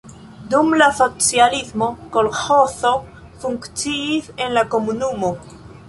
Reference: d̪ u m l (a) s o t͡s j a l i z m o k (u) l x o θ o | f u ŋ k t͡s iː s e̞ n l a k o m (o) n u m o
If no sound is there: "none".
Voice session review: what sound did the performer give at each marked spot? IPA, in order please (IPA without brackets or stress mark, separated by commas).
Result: a, o, u